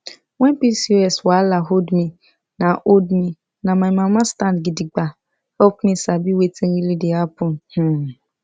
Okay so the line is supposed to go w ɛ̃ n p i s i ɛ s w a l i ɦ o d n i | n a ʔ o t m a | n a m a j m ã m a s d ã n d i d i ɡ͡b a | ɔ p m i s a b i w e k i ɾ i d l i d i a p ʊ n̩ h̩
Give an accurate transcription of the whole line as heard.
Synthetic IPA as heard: w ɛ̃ n p i s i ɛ s w a l a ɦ o d m i | n a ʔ o d m i | n a m a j m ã m a s t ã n ɡ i d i ɡ͡b a | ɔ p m i s a b i w e t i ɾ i l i d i a p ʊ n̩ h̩